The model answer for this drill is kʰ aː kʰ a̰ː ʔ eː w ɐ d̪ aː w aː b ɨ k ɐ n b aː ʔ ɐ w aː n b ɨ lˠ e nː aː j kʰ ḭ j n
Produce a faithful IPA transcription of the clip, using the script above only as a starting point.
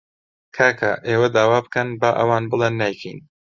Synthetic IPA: kʰ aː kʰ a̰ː ʔ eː w ɐ d̪ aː w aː b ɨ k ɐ n b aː ʔ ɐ w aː n b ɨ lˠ e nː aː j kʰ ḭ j n

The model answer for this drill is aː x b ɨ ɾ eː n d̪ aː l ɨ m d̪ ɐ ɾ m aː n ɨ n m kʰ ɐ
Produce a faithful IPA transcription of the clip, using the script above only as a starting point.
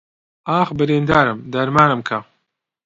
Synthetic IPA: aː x b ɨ ɾ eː n d̪ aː ɾ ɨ m d̪ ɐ ɾ m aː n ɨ m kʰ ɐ

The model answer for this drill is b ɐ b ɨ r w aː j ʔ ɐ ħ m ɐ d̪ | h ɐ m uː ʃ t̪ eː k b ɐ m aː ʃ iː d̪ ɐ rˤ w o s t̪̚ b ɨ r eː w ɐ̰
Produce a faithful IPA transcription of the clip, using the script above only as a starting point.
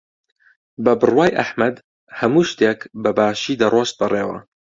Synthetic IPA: b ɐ b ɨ r w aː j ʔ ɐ ħ m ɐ d̪ | h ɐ m uː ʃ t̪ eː k b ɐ b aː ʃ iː d̪ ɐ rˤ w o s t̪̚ b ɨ r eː w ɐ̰

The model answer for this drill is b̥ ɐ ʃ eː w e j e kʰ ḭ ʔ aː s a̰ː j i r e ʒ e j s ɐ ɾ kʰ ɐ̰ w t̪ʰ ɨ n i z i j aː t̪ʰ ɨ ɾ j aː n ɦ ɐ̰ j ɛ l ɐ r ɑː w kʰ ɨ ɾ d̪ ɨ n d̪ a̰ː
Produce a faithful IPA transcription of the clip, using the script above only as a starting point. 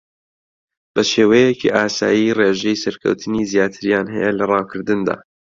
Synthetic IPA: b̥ ɐ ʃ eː w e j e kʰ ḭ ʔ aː s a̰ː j i r e ʒ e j s ɐ ɾ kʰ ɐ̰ w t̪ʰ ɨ n i z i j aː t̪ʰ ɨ ɾ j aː n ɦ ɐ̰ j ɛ l ɐ r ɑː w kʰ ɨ ɾ d̪ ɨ n d̪ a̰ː

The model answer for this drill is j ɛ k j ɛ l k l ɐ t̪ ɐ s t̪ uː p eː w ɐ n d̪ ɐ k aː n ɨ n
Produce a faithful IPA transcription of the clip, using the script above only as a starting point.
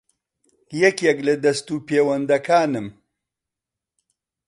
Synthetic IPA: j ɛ k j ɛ k l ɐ d̪ ɐ s t̪ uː p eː w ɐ n d̪ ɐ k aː n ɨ m

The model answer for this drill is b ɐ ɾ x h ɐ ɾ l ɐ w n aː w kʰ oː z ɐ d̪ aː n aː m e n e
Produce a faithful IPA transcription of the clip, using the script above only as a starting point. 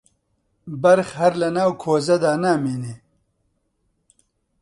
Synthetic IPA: b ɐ ɾ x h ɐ ɾ l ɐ n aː w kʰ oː z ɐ d̪ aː n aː m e n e

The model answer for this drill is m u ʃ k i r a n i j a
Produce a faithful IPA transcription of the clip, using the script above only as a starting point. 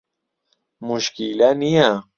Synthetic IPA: m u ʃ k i l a n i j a

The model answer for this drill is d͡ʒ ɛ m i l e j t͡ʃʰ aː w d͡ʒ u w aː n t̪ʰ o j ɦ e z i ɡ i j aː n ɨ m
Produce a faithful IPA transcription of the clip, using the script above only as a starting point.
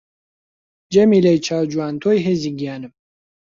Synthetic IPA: d͡ʒ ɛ m i l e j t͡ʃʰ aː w d͡ʒ u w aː n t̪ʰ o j ɦ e z i ɡ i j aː n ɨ m

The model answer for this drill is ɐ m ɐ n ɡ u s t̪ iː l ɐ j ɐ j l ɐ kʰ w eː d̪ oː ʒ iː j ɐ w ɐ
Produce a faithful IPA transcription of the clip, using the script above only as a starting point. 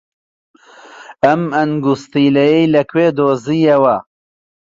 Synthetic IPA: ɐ m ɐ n ɡ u s t̪ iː l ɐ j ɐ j l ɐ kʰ w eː d̪ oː z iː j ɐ w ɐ

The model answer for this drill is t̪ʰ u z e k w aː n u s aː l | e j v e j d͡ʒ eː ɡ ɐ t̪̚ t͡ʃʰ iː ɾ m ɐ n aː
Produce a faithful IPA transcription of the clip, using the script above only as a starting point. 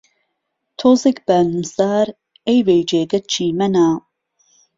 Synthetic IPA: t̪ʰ o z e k b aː n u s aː ɾ | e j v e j d͡ʒ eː ɡ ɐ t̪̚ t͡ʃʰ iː m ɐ n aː

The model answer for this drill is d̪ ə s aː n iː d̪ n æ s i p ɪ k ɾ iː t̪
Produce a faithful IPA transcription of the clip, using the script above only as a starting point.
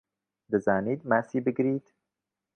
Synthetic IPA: d̪ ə z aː n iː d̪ m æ s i b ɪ ɡ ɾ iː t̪

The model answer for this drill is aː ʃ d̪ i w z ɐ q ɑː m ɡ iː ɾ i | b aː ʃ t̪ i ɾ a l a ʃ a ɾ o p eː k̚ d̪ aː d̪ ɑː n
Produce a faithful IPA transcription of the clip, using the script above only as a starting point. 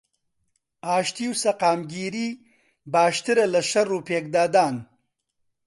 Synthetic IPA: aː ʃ t̪ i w s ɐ q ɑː m ɡ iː ɾ i | b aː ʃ t̪ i ɾ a l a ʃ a ɾ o p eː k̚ d̪ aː d̪ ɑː n

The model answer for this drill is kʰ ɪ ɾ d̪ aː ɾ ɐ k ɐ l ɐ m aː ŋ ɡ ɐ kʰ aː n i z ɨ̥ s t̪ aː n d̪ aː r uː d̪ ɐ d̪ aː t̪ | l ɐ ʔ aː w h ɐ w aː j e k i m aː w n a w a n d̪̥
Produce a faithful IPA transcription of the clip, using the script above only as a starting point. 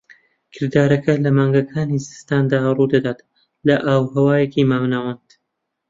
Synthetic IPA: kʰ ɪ ɾ d̪ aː ɾ ɐ k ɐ l ɐ m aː ŋ ɡ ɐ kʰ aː n i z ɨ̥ s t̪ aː n d̪ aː r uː d̪ ɐ d̪ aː t̪ | l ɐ ʔ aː w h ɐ w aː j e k i m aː w n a w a n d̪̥

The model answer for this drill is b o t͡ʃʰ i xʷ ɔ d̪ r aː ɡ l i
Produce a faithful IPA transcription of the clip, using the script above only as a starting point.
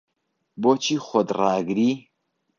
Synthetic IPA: b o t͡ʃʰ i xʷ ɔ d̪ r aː ɡ ɾ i

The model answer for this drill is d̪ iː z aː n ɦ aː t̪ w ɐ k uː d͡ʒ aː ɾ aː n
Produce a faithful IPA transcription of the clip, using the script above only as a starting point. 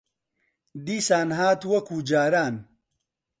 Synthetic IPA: d̪ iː s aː n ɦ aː t̪ w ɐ k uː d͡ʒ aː ɾ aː n

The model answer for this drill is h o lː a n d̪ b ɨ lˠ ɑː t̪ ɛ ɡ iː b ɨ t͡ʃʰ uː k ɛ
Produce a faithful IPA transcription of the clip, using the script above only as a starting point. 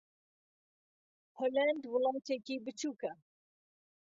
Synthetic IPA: h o l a n d̪ w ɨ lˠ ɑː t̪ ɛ k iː b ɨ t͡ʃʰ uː k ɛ

